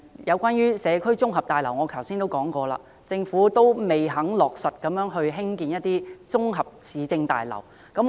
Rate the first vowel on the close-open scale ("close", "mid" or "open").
open